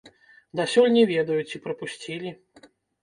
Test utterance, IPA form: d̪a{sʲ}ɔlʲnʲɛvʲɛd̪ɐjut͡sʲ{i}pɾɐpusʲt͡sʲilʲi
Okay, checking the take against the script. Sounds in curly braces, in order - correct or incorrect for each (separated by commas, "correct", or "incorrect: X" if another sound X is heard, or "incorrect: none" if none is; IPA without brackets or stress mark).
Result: correct, correct